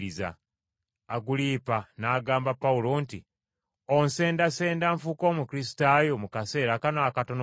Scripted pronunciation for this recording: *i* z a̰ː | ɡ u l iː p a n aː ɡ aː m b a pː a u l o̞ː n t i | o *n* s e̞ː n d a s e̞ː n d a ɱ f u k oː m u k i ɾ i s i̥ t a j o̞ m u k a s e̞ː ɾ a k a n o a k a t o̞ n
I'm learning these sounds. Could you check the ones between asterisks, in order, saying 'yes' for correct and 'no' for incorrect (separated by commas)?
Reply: yes, yes